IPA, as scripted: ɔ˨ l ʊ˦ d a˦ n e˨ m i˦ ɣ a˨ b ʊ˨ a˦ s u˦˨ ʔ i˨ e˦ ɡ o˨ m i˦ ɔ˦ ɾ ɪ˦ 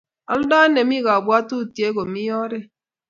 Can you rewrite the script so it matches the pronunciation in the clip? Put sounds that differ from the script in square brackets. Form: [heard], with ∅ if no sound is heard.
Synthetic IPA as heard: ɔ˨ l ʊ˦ d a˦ n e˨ m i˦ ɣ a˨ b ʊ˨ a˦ [t] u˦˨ [t] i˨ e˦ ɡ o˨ m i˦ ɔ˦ ɾ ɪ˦